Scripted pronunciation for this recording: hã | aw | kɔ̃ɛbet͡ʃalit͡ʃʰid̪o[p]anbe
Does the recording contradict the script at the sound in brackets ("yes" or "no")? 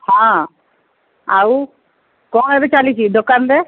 yes